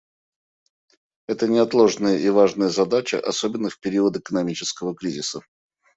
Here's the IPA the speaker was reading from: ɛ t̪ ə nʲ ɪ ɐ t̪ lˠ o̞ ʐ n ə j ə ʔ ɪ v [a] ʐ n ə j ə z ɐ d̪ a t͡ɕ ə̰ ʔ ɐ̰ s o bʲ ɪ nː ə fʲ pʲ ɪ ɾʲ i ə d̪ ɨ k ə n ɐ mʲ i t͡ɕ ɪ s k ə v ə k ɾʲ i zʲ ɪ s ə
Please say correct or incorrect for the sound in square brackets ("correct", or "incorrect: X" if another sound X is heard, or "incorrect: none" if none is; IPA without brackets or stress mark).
correct